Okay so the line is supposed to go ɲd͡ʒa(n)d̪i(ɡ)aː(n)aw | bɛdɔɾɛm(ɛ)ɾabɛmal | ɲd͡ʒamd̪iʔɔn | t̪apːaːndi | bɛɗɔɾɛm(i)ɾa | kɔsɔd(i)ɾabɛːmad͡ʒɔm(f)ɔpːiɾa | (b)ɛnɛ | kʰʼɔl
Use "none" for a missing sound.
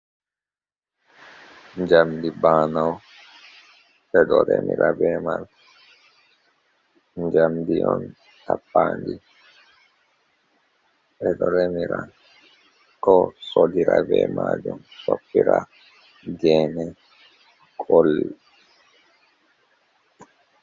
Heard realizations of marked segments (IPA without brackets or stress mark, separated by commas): m, b, n, i, i, i, s, ɡ